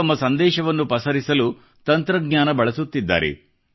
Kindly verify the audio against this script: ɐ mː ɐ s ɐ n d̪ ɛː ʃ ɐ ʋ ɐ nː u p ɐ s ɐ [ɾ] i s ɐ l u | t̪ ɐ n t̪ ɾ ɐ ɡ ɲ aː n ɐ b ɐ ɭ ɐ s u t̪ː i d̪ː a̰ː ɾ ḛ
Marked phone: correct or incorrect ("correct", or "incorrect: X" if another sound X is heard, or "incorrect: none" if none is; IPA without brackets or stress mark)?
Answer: correct